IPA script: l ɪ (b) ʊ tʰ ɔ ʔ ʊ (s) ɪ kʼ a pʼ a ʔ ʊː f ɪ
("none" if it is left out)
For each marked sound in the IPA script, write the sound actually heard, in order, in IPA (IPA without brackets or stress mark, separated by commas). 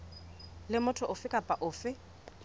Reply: m, f